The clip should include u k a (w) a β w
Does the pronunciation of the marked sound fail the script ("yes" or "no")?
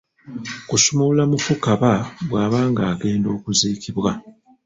yes